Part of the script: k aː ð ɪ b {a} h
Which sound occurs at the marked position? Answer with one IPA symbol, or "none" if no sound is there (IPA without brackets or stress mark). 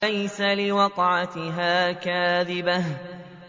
a